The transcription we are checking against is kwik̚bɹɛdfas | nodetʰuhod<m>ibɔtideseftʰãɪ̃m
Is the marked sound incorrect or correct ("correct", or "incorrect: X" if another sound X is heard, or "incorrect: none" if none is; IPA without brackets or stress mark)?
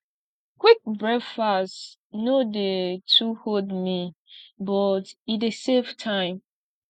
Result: correct